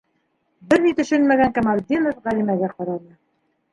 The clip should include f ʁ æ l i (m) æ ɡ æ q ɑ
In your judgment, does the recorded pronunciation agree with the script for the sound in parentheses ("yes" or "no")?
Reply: yes